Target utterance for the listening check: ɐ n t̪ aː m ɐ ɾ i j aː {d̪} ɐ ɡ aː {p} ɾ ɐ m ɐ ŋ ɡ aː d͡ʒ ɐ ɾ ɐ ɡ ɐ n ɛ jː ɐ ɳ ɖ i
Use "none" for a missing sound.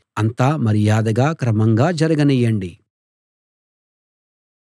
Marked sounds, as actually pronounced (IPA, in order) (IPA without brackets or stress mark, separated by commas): d̪, k